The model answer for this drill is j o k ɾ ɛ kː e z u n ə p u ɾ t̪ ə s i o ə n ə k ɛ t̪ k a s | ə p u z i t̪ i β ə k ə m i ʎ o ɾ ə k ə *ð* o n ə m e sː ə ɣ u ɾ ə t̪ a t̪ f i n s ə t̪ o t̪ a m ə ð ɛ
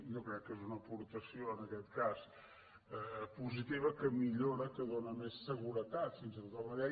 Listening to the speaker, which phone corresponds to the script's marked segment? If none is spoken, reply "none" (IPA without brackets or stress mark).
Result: ð